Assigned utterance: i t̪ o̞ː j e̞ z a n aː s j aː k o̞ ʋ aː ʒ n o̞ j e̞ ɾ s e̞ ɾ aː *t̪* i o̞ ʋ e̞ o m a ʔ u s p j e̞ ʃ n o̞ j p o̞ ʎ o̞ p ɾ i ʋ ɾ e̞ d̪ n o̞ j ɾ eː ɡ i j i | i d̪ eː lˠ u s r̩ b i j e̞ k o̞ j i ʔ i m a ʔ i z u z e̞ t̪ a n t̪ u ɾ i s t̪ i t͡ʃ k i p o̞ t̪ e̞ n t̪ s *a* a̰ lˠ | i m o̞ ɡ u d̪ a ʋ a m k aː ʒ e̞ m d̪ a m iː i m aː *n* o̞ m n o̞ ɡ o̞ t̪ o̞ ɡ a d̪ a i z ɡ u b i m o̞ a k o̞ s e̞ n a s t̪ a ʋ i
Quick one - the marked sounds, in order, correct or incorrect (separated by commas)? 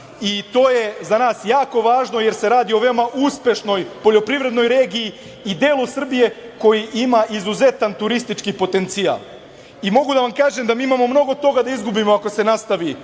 incorrect, incorrect, incorrect